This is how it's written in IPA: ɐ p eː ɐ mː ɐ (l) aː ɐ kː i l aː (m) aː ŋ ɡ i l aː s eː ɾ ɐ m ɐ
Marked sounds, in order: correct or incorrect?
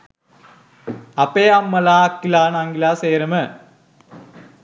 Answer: correct, incorrect: n

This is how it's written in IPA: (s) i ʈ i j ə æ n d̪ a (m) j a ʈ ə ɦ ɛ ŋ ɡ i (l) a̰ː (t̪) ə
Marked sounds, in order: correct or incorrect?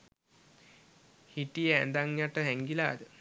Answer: incorrect: h, incorrect: ŋ, correct, incorrect: d̪

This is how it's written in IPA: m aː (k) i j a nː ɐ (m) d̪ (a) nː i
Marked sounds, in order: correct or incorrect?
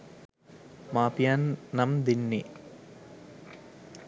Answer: incorrect: p, correct, incorrect: i

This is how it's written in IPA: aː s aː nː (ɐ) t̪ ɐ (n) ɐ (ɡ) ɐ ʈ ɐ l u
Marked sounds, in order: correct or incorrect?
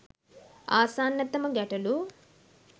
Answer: correct, incorrect: m, correct

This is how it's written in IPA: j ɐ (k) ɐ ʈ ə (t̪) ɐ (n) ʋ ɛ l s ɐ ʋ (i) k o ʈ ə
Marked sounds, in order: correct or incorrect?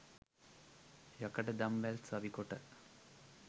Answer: correct, incorrect: d̪, incorrect: m, correct

